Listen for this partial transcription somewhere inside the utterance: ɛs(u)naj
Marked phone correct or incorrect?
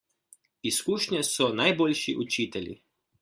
incorrect